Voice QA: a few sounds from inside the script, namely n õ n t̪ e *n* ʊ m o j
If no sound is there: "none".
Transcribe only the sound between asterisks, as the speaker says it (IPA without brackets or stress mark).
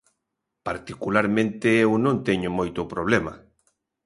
ɲ